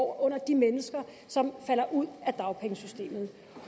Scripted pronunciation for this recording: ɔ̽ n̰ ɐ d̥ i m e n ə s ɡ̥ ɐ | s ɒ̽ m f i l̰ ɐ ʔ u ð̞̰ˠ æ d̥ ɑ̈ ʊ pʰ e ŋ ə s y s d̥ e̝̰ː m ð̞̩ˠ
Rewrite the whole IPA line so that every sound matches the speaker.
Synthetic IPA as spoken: ɔ̽ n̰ ɐ d̥ i m e n ə s ɡ̥ ɐ | s ɒ̽ m f æ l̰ ɐ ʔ u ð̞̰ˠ æ d̥ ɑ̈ ʊ pʰ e ŋ ə s y s d̥ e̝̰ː m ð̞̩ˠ